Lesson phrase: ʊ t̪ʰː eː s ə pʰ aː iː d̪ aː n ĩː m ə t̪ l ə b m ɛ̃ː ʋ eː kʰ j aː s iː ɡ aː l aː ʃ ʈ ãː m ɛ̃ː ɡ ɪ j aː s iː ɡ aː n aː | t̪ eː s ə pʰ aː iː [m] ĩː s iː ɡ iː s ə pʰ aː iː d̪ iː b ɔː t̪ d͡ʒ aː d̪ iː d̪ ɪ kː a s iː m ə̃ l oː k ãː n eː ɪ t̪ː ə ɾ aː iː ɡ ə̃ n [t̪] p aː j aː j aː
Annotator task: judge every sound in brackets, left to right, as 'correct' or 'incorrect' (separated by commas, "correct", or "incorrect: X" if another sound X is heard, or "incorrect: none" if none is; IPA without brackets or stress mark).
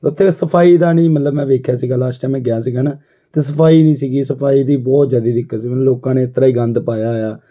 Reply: incorrect: n, incorrect: d̪